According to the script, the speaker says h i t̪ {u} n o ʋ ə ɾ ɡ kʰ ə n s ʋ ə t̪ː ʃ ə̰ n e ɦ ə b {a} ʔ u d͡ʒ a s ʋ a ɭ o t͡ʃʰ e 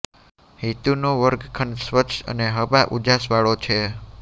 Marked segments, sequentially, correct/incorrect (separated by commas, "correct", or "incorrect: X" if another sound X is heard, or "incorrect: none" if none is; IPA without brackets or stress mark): correct, correct